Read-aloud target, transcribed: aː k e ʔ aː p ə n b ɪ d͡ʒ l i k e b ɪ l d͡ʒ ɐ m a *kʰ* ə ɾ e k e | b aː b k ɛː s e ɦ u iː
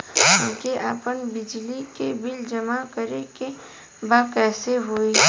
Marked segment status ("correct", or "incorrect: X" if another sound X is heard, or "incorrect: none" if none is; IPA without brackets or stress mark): incorrect: k